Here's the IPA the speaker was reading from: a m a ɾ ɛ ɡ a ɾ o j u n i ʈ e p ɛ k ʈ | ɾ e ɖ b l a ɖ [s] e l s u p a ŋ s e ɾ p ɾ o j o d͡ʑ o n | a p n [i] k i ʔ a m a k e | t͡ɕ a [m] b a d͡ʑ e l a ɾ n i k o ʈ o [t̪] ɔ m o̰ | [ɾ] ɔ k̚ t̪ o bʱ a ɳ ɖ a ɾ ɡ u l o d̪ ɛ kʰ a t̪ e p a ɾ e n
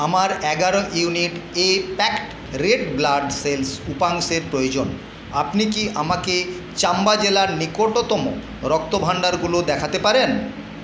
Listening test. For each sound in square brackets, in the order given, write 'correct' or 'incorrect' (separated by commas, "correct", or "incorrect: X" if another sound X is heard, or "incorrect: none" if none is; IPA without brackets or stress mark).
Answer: correct, correct, correct, correct, correct